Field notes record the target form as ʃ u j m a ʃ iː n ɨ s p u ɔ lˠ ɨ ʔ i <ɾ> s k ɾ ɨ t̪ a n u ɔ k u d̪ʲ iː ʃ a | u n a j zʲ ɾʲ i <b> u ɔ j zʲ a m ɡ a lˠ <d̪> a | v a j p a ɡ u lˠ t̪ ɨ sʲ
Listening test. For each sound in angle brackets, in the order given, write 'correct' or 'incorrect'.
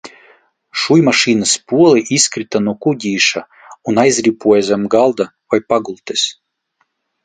incorrect, incorrect, correct

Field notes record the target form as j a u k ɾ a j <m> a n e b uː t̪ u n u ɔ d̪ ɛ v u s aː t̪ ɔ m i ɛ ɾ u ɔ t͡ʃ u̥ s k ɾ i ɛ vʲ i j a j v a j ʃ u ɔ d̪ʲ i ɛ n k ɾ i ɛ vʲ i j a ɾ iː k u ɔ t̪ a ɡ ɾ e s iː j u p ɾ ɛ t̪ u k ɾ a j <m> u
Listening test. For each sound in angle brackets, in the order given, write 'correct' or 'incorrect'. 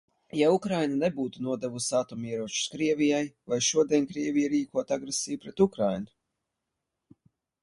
incorrect, incorrect

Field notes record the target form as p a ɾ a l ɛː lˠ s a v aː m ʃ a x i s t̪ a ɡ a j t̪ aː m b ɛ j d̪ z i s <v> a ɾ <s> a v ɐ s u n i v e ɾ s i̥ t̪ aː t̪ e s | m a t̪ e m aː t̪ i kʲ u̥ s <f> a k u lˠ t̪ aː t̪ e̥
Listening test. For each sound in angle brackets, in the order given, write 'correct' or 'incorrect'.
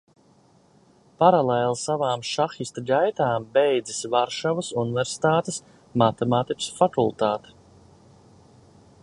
correct, incorrect, correct

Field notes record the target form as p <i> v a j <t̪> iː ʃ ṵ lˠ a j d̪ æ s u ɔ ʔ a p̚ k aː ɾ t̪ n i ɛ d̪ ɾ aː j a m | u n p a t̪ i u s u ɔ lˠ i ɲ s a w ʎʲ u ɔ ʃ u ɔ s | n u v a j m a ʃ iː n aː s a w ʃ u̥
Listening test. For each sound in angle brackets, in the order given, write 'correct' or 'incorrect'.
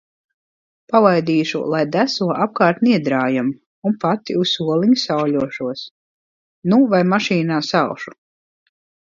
incorrect, incorrect

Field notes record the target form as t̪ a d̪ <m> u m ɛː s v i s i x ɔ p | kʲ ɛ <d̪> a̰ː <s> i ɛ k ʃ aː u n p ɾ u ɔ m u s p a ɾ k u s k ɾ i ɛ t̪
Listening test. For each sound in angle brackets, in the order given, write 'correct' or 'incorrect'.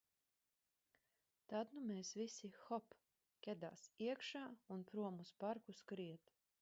incorrect, correct, correct

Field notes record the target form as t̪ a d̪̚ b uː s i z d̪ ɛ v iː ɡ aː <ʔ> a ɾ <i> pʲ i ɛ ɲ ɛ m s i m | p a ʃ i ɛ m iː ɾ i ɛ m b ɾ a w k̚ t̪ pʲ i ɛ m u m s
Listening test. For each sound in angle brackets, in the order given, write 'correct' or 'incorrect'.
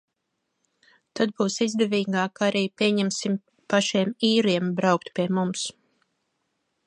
incorrect, incorrect

